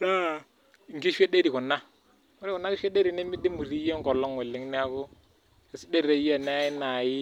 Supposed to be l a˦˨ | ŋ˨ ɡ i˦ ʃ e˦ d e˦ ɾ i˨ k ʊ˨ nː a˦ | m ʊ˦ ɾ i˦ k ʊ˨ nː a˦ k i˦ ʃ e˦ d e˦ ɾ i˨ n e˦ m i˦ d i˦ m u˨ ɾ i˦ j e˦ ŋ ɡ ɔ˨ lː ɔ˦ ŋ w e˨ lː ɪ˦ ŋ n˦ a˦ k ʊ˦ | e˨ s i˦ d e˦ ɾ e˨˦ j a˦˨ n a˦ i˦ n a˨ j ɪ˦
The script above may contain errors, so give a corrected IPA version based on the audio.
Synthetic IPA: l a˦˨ | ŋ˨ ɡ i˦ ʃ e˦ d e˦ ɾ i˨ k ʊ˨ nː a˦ | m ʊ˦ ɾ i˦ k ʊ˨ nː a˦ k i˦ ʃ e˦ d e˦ ɾ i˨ n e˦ m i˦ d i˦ m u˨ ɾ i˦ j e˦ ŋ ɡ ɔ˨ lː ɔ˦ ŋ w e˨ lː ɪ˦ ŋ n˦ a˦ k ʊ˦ | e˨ s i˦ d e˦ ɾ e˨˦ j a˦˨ n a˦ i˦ n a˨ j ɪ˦